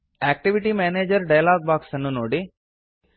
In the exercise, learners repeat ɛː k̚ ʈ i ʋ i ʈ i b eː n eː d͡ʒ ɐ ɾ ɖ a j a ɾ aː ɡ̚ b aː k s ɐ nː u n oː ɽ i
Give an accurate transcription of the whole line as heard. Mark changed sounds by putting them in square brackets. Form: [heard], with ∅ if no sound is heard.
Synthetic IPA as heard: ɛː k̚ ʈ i ʋ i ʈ i [m] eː n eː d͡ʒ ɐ ɾ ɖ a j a [l] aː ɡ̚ b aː k s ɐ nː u n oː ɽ i

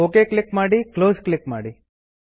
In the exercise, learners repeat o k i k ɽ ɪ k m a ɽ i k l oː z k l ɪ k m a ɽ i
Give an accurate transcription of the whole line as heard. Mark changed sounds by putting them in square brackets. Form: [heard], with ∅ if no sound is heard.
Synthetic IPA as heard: o k [e] k [l] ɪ k m a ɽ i k l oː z k l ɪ k m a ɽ i

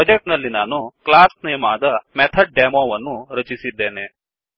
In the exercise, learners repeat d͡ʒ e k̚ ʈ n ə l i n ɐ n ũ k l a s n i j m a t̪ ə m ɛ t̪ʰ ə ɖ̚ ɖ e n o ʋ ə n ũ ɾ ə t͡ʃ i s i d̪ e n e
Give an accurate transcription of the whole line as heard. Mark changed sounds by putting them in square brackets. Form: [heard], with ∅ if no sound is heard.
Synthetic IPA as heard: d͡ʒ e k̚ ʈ n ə l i n [a] n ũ k l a s n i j m a [d̪] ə m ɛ t̪ʰ ə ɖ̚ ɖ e [m] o ʋ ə n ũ ɾ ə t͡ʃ i s i d̪ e n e

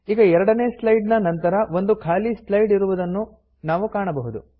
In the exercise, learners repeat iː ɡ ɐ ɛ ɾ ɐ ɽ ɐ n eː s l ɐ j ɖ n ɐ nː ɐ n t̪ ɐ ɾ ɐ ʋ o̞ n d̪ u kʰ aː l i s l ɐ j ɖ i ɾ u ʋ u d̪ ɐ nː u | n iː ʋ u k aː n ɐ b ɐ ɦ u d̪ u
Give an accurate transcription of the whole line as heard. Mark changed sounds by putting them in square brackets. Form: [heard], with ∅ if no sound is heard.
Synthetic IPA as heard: iː ɡ ɐ ɛ ɾ ɐ ɽ ɐ n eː s l ɐ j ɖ n ɐ [n] ɐ n t̪ ɐ ɾ ɐ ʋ o̞ n d̪ u kʰ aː l i s l ɐ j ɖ i ɾ u ʋ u d̪ ɐ nː u | n [aː] ʋ u k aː [ɳ] ɐ b ɐ ɦ u d̪ u

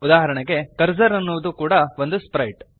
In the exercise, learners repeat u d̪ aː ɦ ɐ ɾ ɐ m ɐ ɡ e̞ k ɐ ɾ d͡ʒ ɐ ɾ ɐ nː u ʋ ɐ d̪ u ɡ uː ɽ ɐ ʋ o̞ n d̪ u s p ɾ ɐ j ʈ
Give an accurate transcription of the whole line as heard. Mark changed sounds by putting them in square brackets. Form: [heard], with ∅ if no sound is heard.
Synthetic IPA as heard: u d̪ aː ɦ ɐ ɾ ɐ [ɳ] ɐ ɡ e̞ k ɐ ɾ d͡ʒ ɐ ɾ ɐ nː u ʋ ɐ d̪ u [k] uː ɽ ɐ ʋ o̞ n d̪ u s p ɾ ɐ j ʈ

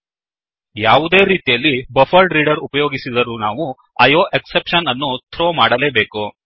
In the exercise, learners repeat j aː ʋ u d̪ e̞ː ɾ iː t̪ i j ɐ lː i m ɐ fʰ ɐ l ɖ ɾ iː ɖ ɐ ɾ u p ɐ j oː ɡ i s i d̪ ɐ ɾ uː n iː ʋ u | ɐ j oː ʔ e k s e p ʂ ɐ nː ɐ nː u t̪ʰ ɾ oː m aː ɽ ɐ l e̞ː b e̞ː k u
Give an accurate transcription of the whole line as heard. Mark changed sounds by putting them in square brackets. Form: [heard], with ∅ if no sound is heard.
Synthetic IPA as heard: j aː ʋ u d̪ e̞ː ɾ iː t̪ i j ɐ lː i [b] ɐ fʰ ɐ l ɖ ɾ iː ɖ ɐ ɾ u p ɐ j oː ɡ i s i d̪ ɐ ɾ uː n [aː] ʋ u | ɐ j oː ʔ e k s e p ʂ ɐ [n] ɐ nː u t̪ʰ ɾ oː m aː ɽ ɐ l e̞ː b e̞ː k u

